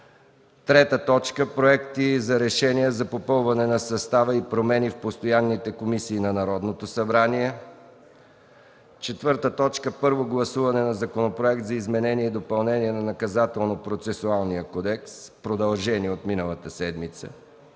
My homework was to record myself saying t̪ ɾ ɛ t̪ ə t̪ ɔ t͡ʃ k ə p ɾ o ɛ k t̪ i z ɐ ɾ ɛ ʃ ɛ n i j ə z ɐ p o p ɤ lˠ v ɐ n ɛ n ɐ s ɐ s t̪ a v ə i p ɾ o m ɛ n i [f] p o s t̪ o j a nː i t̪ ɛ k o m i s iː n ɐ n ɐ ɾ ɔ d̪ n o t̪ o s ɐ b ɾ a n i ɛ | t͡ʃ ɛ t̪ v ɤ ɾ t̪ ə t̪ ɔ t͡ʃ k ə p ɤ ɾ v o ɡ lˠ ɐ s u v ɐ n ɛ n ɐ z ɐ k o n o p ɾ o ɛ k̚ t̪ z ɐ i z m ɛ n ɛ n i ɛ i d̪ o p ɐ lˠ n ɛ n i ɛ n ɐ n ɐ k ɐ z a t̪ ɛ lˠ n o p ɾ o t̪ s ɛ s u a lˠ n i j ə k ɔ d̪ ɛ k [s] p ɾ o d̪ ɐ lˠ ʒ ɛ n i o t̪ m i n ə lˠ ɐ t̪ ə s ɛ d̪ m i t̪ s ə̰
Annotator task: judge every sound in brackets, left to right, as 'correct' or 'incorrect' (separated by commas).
correct, correct